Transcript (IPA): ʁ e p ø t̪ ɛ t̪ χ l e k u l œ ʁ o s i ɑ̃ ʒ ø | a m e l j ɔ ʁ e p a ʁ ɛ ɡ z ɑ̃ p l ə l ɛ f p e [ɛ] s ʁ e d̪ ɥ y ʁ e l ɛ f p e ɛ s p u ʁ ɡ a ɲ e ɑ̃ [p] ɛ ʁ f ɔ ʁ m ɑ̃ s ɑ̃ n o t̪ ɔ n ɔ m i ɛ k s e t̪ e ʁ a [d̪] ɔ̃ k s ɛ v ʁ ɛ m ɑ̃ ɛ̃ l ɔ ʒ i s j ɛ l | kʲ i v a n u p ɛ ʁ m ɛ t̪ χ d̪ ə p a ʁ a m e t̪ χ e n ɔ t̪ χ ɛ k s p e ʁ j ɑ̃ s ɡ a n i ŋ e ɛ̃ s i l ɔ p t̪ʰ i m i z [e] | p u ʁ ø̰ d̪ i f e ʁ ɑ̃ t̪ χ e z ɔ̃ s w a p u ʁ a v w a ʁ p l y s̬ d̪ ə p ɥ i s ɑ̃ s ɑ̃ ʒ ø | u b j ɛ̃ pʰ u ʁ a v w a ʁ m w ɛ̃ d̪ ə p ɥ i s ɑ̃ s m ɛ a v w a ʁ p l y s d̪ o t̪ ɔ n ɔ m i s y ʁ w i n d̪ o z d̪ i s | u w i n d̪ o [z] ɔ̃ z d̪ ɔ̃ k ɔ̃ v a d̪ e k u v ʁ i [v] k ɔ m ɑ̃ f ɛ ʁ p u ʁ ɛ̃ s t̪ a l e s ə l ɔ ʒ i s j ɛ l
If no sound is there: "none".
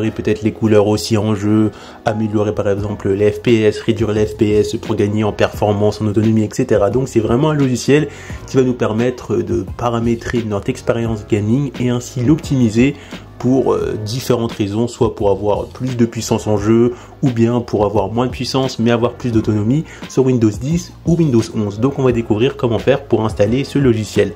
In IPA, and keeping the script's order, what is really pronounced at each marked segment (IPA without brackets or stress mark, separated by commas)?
ɛ, p, d̪, e, z, ʁ